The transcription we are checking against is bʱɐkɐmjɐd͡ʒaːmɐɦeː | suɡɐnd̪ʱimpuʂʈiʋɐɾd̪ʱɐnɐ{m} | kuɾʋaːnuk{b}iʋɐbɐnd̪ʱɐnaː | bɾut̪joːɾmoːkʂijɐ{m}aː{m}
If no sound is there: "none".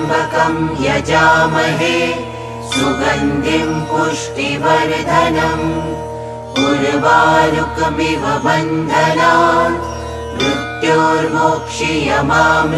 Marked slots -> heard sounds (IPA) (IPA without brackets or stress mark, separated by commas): m, m, m, m